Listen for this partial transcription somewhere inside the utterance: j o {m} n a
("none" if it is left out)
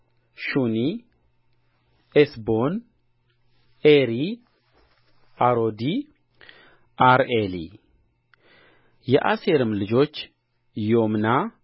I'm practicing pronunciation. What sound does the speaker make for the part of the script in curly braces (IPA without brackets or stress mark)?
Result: m